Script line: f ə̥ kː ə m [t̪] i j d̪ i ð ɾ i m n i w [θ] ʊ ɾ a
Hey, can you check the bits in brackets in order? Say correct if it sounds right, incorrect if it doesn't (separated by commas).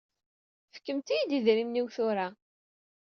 correct, correct